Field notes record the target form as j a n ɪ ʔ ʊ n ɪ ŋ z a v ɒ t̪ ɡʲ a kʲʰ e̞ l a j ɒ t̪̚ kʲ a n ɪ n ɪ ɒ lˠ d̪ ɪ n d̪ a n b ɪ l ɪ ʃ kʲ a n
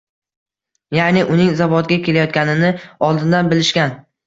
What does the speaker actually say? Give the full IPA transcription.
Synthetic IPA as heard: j a n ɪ ʔ ʊ n ɪ ŋ z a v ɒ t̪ ɡʲ a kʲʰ e̞ l a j ɒ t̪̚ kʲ a n ɪ n ɪ ɒ lˠ d̪ ɪ n d̪ a n b ɪ l ɪ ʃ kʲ a n